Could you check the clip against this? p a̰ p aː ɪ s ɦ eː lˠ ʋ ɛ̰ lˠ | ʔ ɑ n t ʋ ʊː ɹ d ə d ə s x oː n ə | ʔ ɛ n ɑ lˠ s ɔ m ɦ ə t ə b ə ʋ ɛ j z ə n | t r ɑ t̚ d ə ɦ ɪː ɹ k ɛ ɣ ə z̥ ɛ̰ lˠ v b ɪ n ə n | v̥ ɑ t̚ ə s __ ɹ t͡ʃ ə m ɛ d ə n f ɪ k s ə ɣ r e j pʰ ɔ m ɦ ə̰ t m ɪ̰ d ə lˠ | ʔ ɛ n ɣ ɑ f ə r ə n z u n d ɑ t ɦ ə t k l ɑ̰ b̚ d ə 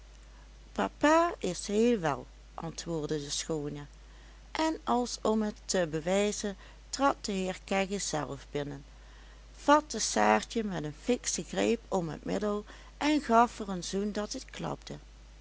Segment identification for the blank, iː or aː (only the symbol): aː